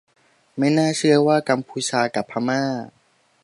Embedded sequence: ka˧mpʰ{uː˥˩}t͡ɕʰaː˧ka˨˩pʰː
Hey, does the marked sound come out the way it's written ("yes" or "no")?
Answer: no